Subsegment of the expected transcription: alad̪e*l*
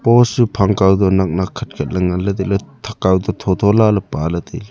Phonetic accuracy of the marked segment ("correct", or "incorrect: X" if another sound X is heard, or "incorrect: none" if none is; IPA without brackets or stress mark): correct